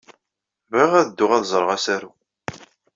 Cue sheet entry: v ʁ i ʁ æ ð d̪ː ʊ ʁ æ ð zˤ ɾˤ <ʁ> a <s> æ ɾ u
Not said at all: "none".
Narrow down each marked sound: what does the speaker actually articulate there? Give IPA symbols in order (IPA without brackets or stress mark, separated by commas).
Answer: ʁ, s